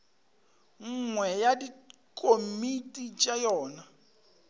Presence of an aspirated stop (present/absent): absent